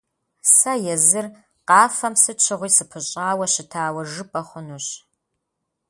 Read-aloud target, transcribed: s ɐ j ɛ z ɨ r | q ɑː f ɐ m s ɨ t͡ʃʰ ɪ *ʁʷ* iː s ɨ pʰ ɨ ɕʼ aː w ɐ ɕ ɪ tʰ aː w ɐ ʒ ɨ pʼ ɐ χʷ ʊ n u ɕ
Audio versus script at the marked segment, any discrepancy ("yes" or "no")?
no